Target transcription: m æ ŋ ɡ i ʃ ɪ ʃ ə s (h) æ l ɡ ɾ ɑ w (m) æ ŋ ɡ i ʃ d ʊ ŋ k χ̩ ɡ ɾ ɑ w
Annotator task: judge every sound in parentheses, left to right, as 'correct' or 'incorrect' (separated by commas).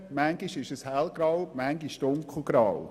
correct, correct